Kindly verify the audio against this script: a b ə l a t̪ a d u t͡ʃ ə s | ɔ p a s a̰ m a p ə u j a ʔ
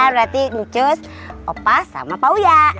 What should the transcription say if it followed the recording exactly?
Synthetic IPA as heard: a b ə ɾ a t̪ i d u t͡ʃ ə s | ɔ p a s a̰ m a p a u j a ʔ